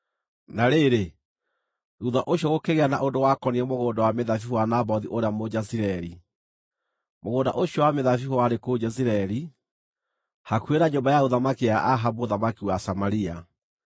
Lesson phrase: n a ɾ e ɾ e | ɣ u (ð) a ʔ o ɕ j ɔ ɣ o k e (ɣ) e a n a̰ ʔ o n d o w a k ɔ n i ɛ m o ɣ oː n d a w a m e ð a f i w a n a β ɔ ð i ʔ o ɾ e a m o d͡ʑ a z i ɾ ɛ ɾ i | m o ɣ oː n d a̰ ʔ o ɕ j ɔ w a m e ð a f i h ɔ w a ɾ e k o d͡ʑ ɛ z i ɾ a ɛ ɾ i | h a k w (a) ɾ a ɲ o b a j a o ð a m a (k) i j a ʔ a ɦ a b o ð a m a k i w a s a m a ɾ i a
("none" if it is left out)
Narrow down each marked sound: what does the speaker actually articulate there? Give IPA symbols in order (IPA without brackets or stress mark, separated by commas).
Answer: ð, ɣ, e, k